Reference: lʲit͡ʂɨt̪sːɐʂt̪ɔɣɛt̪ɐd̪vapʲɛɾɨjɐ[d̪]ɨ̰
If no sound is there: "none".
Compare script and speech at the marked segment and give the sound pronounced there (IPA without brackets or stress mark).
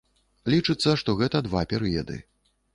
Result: d̪